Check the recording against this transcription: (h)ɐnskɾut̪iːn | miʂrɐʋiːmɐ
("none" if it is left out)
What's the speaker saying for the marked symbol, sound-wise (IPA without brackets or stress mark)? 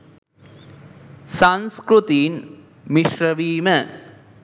s